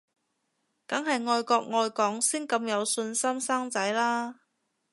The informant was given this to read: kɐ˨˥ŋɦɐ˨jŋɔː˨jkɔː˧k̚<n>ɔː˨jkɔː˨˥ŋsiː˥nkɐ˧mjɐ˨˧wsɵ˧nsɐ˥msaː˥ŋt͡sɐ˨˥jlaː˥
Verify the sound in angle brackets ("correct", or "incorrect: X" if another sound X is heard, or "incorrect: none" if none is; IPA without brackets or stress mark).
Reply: incorrect: ŋ